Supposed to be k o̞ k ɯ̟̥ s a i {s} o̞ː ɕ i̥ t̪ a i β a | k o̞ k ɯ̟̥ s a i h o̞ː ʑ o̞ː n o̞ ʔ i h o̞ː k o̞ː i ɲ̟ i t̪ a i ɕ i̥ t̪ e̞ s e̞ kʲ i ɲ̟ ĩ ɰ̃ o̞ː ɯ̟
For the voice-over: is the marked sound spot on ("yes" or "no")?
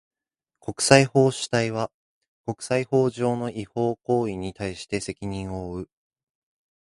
no